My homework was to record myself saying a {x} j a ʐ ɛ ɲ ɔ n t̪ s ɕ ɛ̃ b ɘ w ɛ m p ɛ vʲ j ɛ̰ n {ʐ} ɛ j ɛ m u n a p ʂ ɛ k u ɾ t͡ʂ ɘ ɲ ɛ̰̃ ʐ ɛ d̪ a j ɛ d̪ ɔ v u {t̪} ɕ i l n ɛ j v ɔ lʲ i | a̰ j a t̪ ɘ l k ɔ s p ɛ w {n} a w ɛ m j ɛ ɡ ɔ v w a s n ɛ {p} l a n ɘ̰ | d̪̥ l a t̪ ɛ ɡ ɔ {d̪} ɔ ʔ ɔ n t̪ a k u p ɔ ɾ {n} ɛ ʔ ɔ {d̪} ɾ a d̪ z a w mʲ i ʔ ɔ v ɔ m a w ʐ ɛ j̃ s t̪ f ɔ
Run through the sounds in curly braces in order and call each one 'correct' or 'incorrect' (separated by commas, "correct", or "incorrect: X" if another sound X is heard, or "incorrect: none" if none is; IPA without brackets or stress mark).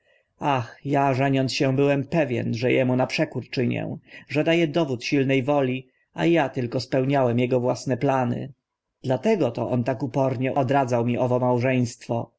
correct, correct, correct, incorrect: ɲ, correct, incorrect: t̪, incorrect: ɲ, correct